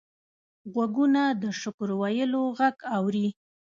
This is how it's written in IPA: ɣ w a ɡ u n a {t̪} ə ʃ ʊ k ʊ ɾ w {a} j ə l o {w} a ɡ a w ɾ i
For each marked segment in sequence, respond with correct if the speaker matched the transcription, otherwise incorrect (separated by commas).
incorrect, correct, incorrect